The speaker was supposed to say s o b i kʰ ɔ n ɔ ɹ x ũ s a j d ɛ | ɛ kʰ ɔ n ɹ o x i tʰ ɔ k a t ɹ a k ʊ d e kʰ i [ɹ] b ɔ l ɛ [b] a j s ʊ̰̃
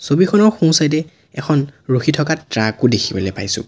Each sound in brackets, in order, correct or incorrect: incorrect: none, incorrect: p

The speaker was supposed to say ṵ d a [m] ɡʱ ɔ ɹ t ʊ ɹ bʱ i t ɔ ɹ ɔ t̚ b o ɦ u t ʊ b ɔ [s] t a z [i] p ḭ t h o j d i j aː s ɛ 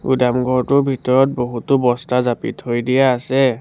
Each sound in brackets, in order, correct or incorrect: correct, correct, incorrect: a

